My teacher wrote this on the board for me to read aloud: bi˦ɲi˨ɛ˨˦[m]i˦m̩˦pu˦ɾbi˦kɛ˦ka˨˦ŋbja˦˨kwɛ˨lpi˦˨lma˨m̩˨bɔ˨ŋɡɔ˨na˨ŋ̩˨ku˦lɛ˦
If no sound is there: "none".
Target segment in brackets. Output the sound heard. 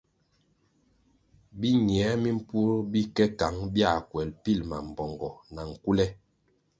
m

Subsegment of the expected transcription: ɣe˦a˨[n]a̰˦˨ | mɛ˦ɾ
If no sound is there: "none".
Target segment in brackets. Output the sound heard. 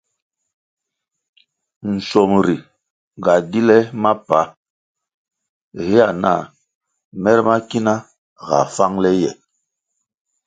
n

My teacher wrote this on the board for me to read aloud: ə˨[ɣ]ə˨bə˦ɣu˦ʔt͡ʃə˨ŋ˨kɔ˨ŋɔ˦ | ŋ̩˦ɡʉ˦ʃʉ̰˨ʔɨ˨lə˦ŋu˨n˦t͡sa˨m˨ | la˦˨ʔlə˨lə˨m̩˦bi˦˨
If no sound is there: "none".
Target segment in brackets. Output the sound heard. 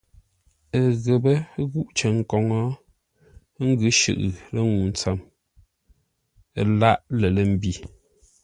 ɣ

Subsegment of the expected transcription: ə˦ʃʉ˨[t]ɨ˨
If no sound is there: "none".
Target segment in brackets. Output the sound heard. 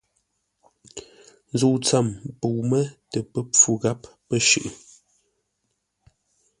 ʔ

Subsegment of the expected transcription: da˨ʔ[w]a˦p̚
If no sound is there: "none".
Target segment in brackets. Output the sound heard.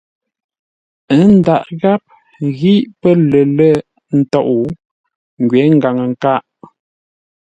ɣ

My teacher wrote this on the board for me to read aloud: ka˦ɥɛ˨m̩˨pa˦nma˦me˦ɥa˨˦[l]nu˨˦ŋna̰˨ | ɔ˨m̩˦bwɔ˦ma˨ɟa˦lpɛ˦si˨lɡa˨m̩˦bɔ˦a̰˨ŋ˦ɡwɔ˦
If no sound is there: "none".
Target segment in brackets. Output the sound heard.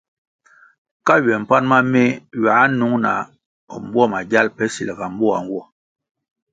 none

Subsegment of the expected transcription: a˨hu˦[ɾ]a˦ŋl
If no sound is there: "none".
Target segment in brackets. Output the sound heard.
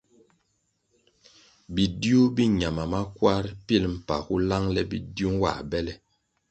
l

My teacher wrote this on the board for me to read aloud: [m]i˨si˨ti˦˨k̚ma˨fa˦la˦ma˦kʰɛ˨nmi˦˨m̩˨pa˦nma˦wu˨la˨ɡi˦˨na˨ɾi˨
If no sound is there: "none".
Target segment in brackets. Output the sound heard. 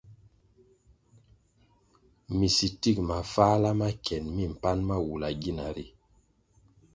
m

